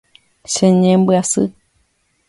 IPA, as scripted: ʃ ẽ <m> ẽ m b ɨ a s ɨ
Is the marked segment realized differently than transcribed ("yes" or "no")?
yes